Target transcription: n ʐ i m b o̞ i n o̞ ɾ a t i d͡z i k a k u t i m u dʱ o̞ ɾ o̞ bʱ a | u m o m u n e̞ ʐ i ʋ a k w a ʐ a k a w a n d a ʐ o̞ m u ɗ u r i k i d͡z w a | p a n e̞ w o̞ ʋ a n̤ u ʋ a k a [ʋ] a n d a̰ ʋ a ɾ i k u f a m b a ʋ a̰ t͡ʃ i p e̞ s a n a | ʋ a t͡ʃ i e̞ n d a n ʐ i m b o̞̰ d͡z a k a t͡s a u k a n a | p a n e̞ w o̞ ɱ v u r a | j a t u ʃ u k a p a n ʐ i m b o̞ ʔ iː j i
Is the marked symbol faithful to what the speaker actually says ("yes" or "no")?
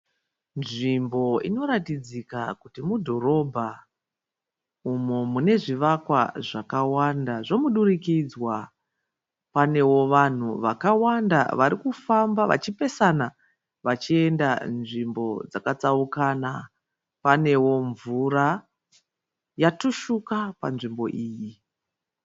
no